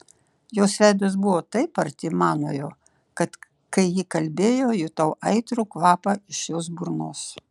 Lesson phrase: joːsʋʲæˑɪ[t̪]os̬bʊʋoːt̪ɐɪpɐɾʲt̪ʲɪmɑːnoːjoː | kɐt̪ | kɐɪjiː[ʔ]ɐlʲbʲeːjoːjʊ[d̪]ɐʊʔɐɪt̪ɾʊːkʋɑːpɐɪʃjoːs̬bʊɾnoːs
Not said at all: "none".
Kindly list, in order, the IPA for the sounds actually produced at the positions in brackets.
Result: d̪, k, t̪

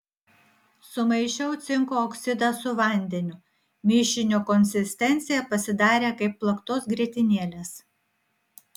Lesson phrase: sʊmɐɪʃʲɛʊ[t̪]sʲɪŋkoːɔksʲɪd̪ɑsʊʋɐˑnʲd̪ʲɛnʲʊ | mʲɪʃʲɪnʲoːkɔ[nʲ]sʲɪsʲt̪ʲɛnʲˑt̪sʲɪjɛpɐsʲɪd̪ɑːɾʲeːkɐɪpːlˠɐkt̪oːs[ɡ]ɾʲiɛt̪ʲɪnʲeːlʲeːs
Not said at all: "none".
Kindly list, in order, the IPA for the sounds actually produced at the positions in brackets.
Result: t̪, nʲ, ɡ

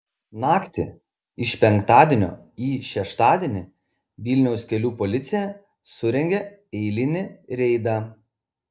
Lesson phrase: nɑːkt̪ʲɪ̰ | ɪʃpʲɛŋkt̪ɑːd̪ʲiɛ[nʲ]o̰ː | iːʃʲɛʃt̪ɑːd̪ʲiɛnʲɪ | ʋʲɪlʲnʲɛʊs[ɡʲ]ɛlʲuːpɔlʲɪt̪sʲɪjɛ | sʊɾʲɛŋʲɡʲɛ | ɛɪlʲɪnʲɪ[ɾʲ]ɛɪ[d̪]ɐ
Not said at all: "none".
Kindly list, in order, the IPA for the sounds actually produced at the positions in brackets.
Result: nʲ, kʲ, ɾʲ, d̪

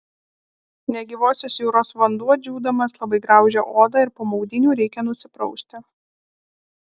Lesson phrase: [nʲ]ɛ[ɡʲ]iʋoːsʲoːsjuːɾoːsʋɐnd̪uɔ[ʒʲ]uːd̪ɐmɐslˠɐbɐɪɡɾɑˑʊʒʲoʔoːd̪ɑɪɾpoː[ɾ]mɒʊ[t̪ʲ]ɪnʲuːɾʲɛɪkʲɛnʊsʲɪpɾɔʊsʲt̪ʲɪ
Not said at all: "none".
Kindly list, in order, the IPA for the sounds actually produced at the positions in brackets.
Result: nʲ, ɡʲ, d͡ʒʲ, none, d̪ʲ

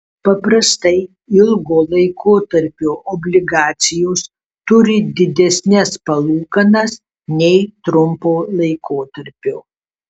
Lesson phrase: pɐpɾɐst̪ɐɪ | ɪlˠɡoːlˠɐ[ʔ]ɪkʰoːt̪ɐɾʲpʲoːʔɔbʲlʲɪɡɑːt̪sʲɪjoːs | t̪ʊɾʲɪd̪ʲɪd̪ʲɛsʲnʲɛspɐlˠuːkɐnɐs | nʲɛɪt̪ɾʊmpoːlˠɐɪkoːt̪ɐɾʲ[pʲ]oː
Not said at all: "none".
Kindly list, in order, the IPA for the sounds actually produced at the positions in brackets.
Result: none, pʲ

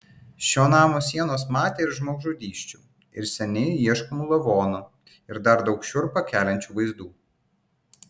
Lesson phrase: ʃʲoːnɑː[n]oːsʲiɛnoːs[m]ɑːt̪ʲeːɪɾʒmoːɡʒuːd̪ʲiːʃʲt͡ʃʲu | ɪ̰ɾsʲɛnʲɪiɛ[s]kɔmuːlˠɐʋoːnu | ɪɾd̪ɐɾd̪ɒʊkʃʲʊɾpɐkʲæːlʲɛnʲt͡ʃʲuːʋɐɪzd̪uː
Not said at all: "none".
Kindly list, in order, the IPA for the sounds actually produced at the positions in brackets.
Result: m, m, ʃ

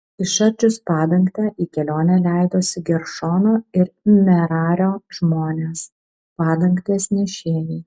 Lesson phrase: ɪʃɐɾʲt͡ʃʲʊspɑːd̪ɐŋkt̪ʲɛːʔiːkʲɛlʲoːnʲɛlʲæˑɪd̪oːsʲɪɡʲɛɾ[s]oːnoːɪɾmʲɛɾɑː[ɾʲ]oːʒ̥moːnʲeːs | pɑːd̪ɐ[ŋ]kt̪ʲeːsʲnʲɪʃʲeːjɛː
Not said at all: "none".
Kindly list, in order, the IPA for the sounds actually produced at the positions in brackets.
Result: ʃ, ɾʲ, ŋ

